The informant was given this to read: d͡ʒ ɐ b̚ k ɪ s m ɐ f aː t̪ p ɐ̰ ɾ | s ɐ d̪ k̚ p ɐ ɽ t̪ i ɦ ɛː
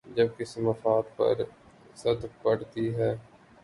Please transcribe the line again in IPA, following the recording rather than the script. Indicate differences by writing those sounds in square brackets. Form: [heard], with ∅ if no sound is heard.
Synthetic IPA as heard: d͡ʒ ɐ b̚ k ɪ s m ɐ f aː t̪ p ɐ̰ ɾ | s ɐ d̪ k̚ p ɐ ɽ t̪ i ɦ ɛː